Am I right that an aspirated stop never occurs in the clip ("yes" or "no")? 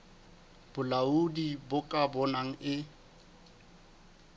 yes